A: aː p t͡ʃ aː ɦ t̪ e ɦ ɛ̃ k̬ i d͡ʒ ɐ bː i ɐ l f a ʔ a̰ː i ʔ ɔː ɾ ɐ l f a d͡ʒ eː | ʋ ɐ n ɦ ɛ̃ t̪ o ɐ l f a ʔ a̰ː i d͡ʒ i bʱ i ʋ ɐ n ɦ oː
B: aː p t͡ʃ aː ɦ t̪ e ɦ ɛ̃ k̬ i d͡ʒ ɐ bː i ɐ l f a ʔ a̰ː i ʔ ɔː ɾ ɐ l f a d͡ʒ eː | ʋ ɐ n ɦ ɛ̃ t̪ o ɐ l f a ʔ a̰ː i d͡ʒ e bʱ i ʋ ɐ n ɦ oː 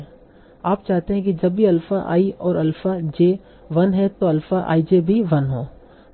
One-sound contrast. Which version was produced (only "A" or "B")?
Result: B